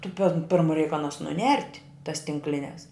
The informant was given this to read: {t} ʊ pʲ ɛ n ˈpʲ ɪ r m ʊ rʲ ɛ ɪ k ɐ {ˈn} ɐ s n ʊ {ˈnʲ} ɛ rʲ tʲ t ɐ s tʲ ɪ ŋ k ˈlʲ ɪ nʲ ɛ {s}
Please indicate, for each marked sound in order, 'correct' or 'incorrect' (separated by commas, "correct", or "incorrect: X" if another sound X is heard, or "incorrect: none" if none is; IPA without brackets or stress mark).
correct, correct, correct, correct